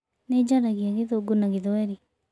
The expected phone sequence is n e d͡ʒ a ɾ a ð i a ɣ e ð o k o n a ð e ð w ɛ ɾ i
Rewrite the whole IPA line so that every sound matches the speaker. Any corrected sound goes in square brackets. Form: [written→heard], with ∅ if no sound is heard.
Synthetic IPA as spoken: n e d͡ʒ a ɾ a [ð→ɣ] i a ɣ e ð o [k→ɡ] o n a [ð→ɣ] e ð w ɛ ɾ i

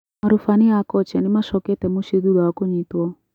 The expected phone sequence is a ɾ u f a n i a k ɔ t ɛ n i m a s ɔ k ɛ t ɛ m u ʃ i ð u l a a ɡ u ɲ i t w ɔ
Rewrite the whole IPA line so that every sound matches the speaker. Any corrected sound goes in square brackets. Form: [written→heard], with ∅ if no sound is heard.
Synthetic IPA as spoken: a ɾ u f a n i a k ɔ [t→t͡ʃ] ɛ n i m a [s→ʃ] ɔ k ɛ t ɛ m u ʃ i ð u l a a [ɡ→k] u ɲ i t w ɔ

